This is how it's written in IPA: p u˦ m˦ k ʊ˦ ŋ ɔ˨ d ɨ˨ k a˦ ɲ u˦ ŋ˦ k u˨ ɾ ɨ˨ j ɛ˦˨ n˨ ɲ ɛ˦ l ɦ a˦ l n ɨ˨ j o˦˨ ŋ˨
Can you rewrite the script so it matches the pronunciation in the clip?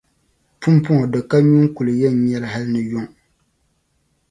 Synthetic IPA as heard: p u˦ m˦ p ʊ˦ ŋ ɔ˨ d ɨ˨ k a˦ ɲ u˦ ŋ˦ k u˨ l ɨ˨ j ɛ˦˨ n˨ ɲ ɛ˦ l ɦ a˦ l n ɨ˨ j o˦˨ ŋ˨